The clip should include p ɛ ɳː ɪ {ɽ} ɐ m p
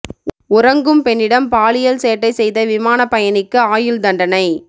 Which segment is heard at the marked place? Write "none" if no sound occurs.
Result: ɽ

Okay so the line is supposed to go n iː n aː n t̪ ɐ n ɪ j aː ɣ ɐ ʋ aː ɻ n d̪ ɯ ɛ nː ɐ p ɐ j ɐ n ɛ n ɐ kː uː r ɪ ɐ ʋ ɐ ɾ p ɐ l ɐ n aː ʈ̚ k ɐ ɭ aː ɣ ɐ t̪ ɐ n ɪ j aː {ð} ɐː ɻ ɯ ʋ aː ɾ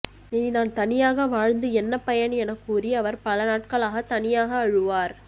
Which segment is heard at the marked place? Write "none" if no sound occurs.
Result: ɣ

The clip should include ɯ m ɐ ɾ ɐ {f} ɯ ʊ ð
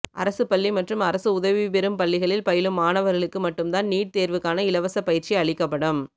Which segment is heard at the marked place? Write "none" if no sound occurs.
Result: s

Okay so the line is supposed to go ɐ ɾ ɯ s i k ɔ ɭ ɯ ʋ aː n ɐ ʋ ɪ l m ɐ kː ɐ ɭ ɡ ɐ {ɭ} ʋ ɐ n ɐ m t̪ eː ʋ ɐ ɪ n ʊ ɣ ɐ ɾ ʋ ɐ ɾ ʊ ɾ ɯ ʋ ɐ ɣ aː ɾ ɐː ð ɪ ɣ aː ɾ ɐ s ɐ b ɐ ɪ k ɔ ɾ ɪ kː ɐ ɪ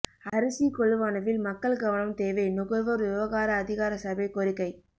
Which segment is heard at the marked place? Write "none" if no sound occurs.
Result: none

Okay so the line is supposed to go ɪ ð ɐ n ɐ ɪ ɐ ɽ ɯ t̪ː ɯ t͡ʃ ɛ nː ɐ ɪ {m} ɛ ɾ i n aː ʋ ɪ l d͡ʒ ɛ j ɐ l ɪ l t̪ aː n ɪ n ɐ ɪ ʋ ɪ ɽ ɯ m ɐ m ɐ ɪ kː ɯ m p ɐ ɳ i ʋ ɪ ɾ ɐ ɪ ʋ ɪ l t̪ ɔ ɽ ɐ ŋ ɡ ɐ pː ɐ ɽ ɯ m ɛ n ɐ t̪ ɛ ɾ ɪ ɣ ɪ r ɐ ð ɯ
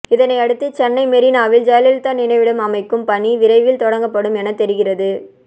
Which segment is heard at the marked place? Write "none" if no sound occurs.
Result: m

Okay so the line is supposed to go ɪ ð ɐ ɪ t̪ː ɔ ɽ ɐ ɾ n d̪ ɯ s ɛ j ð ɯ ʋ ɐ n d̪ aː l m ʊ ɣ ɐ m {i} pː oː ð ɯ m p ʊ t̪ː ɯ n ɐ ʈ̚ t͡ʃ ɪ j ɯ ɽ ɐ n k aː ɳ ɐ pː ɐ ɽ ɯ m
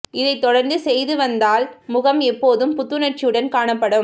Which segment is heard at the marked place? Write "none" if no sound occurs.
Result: ɛ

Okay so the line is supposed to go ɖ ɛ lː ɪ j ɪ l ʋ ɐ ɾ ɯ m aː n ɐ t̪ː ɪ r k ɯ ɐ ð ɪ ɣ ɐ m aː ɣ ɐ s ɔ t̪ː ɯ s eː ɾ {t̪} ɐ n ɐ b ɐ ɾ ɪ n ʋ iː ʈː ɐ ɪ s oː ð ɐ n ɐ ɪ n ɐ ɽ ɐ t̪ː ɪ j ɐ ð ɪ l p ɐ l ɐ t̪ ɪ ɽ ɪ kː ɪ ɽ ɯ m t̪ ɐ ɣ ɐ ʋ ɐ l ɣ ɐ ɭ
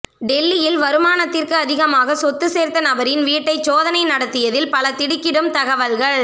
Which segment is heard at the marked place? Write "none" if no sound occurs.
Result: t̪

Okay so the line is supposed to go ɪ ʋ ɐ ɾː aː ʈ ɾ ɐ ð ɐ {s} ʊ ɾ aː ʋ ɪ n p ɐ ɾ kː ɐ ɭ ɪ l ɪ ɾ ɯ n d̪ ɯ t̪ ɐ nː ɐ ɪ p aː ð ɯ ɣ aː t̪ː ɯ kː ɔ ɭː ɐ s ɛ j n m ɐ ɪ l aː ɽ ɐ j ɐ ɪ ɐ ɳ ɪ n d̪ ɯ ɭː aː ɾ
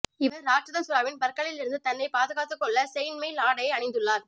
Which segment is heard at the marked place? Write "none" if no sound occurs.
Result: s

